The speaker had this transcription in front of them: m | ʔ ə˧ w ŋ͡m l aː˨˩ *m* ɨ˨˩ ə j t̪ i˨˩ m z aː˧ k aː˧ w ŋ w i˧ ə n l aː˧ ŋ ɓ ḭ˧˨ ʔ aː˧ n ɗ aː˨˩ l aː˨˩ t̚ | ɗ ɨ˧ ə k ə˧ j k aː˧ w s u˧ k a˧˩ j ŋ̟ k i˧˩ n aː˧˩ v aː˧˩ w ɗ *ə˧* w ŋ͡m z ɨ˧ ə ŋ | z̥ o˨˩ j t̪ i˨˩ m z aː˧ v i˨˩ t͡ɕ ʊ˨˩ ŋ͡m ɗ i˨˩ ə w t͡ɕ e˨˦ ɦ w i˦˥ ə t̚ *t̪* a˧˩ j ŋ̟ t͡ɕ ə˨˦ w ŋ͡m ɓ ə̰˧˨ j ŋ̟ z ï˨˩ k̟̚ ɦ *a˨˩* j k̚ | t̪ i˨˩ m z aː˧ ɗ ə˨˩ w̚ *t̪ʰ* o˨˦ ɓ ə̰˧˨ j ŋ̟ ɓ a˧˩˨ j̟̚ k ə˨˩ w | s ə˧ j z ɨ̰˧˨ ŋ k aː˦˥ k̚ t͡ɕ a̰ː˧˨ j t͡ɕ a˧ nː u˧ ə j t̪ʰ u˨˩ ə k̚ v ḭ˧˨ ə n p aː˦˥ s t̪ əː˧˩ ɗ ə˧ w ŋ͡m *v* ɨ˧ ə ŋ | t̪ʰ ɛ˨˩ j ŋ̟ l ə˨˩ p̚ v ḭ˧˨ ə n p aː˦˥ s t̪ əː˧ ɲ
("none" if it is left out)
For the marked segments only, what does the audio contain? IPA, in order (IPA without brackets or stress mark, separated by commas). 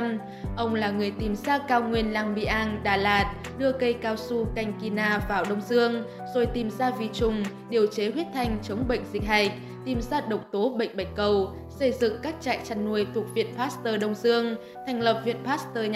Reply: ŋ, ə˧, t̪ʰ, a˨˩, t̪, z